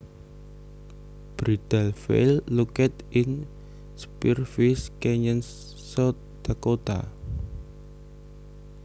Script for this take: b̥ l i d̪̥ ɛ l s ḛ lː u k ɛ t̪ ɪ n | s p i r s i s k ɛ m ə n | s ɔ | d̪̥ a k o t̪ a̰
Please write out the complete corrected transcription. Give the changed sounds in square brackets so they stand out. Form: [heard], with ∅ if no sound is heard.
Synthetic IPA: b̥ [ɾ] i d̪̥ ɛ l [f] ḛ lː u k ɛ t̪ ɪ n | s p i r [f] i s k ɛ [ɲ] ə n | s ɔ | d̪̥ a k o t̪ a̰